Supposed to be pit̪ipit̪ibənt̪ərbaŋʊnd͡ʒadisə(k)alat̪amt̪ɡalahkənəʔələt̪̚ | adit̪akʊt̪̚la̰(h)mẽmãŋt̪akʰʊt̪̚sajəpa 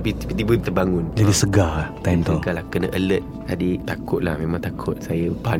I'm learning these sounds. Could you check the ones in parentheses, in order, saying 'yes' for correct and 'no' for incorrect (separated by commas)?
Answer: no, yes